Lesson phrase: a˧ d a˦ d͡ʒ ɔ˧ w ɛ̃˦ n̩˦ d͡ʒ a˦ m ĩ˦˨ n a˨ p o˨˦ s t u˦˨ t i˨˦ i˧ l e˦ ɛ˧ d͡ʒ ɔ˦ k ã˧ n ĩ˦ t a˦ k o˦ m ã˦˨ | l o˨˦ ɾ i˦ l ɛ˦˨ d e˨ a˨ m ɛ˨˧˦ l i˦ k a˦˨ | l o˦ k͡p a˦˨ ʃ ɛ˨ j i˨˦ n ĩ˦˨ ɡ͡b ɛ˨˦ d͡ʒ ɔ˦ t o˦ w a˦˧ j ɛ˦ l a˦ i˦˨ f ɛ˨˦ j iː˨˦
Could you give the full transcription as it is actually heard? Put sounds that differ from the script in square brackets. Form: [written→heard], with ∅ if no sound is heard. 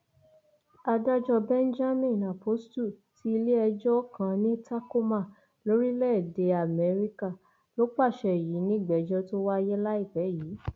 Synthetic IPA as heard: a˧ d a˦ d͡ʒ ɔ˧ [w→b] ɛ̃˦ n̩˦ d͡ʒ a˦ m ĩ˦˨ n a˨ p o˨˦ s t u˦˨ t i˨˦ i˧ l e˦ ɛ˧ d͡ʒ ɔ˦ k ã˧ n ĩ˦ t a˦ k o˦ m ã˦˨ | l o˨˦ ɾ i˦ l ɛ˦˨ d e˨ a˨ m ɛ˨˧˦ [l→ɾ] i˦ k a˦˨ | l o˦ k͡p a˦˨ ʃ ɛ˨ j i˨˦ n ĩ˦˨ ɡ͡b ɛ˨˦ d͡ʒ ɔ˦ t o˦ w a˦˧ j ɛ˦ l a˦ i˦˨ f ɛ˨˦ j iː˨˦